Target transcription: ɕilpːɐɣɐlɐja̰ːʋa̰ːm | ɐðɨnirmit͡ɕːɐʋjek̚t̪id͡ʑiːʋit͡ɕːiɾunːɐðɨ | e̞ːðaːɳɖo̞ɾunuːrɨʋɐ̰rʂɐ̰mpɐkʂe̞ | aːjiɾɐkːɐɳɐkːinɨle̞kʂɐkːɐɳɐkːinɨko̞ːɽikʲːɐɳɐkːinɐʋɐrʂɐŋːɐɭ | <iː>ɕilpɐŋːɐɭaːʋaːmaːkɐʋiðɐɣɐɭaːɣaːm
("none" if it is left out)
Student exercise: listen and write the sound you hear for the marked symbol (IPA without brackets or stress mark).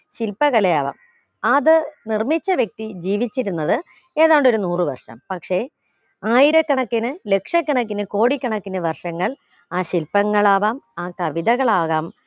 aː